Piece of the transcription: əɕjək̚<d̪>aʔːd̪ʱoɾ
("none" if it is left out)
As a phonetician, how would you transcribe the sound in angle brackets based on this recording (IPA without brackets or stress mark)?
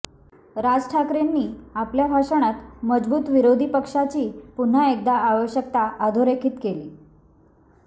t̪